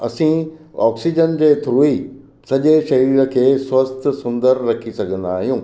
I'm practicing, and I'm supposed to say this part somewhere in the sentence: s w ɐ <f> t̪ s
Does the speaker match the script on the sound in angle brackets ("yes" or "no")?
no